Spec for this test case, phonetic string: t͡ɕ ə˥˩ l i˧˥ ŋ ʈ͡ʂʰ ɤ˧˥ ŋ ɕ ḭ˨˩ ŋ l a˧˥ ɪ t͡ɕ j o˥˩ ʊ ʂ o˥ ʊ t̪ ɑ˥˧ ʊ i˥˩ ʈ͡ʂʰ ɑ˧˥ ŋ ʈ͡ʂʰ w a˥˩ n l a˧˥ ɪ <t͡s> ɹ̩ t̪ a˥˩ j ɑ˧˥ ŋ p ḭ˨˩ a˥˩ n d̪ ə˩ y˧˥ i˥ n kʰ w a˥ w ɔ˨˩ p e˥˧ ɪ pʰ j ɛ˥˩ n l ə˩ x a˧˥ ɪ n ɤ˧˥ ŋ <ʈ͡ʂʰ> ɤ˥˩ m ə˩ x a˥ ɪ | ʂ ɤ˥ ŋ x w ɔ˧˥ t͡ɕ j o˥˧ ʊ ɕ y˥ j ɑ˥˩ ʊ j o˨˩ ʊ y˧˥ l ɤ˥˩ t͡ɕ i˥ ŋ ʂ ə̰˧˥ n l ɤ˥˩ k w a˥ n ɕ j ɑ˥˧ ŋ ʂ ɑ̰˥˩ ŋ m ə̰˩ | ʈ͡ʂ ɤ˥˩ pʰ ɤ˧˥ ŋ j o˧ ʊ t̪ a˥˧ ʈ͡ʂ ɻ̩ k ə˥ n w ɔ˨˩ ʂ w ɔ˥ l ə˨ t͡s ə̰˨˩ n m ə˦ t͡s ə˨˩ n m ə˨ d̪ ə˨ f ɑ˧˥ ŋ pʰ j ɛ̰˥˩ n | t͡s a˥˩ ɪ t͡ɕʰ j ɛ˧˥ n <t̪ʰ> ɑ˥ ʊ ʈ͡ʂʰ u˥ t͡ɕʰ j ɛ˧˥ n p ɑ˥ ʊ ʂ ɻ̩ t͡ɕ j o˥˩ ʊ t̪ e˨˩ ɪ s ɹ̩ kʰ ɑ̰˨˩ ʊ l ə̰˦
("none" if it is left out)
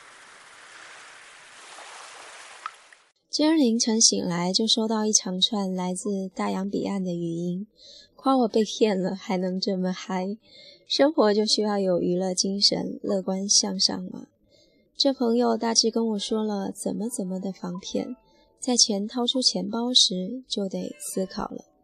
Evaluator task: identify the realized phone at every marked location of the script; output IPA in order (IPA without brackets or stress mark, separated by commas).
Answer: t͡s, ʈ͡ʂ, t̪ʰ